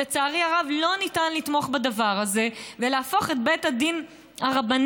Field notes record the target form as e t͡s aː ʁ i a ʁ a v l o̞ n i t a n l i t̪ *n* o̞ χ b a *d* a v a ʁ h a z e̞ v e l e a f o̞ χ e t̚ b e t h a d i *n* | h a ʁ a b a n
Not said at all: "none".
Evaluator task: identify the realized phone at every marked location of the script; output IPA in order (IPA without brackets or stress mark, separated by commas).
m, d, n